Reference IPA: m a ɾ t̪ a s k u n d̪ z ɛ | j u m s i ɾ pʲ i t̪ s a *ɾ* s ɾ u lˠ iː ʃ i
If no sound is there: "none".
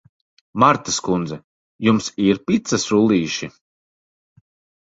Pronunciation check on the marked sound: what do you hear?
none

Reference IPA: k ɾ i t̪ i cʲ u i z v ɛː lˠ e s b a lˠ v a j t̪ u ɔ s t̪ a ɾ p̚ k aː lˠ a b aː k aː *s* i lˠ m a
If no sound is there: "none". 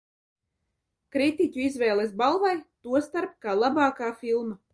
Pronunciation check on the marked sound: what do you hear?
f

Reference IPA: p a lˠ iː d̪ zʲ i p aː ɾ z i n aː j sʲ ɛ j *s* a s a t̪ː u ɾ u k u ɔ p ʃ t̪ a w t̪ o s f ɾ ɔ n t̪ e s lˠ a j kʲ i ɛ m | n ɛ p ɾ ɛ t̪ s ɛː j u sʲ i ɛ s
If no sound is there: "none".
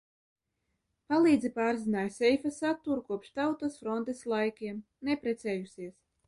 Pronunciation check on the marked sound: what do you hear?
f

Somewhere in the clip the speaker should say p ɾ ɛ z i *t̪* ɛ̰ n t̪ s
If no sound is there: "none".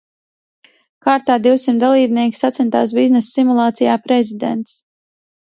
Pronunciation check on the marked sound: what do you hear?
d̪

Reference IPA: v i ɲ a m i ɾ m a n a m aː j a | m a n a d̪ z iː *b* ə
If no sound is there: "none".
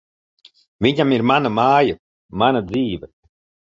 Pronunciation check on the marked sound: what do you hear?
v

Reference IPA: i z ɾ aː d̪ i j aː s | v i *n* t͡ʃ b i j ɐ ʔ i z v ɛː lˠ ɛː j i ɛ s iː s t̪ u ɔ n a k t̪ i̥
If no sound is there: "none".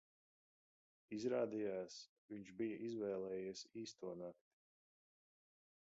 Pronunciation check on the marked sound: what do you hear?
ɲ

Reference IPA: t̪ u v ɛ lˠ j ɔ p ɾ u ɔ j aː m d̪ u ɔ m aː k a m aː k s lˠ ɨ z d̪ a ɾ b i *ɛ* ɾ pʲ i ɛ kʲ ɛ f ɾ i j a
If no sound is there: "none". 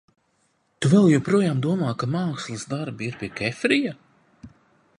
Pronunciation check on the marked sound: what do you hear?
i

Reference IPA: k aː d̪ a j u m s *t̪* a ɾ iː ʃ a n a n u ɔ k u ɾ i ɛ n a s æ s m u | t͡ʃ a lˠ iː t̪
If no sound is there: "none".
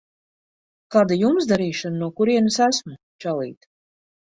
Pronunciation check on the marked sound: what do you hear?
d̪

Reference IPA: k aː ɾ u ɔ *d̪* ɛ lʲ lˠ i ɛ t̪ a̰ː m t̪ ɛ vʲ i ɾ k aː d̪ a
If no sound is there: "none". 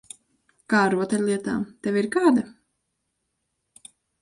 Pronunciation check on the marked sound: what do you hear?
t̪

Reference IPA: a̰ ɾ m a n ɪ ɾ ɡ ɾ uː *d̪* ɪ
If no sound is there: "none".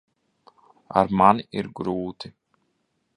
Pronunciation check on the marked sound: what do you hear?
t̪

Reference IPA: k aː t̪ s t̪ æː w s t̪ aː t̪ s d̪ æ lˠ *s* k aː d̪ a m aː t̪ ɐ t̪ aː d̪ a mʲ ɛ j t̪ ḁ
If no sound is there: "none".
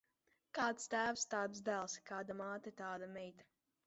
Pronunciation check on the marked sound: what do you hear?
s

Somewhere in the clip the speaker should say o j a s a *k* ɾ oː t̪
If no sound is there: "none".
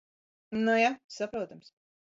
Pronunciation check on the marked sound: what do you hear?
p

